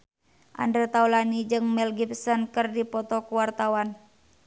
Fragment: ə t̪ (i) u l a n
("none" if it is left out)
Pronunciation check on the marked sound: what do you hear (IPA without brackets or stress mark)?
a